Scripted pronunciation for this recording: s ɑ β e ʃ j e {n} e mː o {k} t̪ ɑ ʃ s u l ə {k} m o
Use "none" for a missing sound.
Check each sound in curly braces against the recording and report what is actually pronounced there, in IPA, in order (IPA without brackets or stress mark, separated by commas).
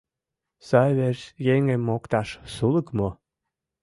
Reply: ŋ, k, k